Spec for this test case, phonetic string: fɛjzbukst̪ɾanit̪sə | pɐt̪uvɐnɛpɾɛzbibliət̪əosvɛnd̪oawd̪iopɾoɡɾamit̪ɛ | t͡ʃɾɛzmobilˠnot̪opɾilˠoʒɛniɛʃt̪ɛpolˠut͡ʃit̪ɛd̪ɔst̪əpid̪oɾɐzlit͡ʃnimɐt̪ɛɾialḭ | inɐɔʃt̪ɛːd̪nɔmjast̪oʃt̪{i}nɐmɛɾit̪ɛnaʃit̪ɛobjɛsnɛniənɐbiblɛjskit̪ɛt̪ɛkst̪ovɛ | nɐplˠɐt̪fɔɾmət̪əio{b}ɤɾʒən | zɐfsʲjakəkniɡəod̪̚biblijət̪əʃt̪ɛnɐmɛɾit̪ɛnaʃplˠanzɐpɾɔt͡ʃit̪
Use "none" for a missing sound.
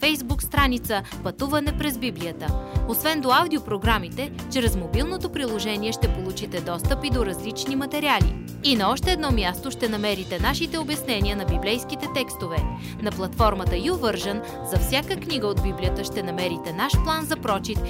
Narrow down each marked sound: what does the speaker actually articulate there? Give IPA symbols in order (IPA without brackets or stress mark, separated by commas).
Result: ɛ, v